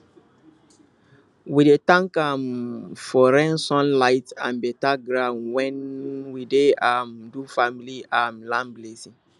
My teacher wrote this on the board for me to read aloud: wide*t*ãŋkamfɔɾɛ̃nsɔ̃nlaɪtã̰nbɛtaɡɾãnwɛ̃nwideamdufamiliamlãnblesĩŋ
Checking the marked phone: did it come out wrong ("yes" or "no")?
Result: no